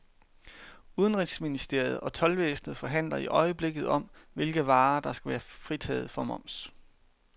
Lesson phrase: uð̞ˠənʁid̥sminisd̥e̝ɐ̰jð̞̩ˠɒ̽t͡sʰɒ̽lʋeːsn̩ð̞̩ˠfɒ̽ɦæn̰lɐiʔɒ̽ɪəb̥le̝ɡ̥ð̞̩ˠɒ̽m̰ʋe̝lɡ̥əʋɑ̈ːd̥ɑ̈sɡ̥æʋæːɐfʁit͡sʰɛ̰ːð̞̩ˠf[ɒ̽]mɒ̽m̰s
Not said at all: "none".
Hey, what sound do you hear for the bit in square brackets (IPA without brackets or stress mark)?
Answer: ɒ̽